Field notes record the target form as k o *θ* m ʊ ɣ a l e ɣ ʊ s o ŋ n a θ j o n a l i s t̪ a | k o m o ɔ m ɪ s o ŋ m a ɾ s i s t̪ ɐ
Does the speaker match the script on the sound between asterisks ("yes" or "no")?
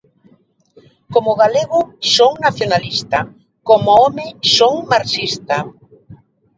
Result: no